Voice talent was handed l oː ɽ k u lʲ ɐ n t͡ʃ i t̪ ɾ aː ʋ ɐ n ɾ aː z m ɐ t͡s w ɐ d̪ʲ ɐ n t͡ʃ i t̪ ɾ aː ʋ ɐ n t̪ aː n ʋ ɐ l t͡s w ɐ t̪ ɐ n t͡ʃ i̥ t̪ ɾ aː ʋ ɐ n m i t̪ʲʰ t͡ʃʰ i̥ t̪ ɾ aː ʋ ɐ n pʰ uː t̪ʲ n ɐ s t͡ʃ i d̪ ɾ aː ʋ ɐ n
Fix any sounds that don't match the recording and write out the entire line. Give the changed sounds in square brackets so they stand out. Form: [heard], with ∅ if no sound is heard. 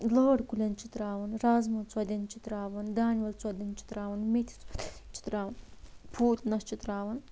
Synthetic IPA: l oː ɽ k u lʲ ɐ n t͡ʃ i t̪ ɾ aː ʋ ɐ n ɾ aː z m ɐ t͡s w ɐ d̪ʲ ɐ n t͡ʃ i t̪ ɾ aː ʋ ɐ n [d̪] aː n ʋ ɐ l t͡s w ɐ [d̪] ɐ n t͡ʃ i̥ t̪ ɾ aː ʋ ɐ n m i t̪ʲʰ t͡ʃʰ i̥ t̪ ɾ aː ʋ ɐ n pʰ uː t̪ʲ n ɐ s t͡ʃ i [t̪] ɾ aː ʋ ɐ n